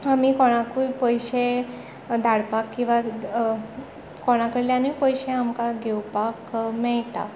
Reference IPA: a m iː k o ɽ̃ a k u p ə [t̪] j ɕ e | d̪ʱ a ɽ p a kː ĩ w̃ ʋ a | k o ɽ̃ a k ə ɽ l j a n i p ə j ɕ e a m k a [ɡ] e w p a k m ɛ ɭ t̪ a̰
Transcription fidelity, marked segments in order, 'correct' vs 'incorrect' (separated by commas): incorrect, correct